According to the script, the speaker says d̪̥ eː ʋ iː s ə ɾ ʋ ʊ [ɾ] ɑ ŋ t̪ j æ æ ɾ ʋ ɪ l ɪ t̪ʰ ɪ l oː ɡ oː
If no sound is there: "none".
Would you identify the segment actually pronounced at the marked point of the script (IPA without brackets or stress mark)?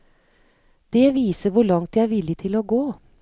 ɭ